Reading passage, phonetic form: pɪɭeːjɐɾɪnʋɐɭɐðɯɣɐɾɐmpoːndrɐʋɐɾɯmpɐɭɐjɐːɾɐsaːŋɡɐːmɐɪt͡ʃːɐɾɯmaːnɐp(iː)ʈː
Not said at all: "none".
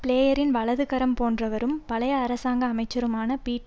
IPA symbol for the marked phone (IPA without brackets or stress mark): iː